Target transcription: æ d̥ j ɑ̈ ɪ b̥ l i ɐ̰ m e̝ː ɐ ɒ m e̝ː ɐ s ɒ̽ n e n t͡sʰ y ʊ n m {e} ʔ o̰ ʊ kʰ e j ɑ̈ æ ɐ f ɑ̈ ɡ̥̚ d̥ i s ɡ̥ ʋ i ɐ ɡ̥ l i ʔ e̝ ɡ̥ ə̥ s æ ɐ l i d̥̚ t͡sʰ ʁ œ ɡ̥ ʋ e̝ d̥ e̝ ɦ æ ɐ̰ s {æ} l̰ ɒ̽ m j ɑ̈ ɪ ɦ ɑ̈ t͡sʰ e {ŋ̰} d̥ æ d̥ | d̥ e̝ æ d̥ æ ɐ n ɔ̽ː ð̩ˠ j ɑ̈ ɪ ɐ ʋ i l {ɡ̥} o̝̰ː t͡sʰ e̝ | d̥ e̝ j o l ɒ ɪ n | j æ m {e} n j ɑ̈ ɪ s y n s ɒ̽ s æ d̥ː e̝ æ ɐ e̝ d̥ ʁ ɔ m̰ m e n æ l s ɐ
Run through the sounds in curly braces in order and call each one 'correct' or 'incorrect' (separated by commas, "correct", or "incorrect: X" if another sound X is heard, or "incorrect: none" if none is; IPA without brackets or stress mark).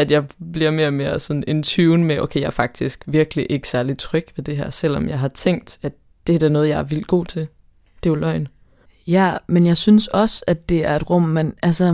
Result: correct, incorrect: e, correct, correct, correct